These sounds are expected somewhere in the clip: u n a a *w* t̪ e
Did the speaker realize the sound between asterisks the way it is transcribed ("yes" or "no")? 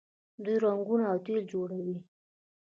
yes